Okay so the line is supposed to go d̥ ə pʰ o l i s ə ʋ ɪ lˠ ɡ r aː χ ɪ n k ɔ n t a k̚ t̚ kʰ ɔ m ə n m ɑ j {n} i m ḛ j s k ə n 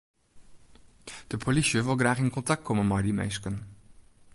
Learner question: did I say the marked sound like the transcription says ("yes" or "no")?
no